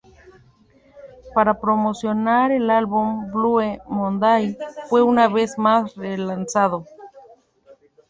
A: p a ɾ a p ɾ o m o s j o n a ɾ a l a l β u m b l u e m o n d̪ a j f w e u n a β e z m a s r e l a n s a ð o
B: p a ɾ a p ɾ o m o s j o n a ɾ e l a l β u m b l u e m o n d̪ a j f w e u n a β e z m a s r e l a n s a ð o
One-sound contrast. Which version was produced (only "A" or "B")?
B